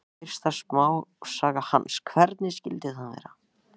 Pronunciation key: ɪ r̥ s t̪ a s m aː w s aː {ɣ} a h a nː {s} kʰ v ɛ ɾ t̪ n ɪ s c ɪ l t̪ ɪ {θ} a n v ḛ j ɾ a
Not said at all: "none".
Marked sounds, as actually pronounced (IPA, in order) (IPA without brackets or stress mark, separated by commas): ɣ, s, θ